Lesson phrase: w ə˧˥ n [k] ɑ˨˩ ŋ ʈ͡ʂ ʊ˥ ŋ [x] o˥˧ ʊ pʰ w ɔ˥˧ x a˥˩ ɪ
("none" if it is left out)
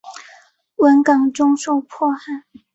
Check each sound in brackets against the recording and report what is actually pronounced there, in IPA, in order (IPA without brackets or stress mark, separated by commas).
k, ʂ